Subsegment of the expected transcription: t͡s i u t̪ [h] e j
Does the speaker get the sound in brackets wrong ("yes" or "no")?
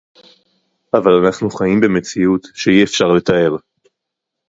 yes